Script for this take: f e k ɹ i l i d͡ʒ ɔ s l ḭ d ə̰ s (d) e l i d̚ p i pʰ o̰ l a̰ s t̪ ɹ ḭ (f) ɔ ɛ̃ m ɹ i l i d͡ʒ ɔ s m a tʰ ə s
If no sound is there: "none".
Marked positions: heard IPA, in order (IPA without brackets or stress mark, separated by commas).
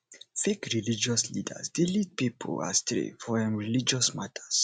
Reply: d, f